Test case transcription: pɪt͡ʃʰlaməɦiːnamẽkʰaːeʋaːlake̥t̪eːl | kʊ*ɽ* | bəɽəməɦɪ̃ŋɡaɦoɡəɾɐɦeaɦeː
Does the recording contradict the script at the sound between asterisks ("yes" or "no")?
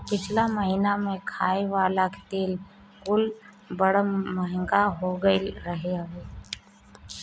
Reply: yes